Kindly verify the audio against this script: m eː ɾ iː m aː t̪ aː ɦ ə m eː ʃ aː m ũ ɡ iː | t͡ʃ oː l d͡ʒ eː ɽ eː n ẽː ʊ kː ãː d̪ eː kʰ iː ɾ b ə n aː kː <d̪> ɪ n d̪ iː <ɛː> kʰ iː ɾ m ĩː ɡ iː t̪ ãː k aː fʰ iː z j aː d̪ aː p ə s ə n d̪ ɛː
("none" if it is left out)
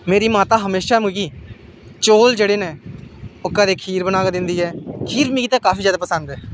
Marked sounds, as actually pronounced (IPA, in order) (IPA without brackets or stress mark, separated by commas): d̪, ɛː